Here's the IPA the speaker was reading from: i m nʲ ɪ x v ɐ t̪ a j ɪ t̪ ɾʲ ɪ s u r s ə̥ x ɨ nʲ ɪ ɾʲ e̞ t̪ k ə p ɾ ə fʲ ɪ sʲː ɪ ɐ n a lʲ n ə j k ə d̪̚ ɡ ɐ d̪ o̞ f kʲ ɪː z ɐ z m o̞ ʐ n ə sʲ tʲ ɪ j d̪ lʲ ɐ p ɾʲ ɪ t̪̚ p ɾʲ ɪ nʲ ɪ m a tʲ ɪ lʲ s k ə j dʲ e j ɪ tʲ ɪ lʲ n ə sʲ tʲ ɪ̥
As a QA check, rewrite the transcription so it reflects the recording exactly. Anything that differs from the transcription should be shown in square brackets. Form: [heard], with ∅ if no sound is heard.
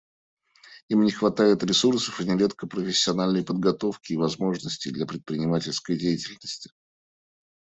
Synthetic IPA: i m nʲ ɪ x v ɐ t̪ a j ɪ t̪ ɾʲ ɪ s u r s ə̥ [f] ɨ nʲ ɪ ɾʲ e̞ t̪ k ə p ɾ ə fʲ ɪ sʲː ɪ ɐ n a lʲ n ə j [p] ə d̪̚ ɡ ɐ [t̪] o̞ f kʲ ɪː [v] ɐ z m o̞ ʐ n ə sʲ tʲ ɪ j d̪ lʲ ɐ p ɾʲ ɪ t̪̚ p ɾʲ ɪ nʲ ɪ m a tʲ ɪ lʲ s k ə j dʲ e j ɪ tʲ ɪ lʲ n ə sʲ tʲ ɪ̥